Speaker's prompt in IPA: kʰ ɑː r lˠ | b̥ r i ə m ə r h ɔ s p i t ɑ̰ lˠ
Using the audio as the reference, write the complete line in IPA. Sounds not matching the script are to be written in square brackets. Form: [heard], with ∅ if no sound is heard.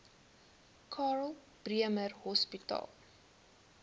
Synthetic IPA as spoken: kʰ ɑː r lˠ | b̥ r i ə m ə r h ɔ s p i t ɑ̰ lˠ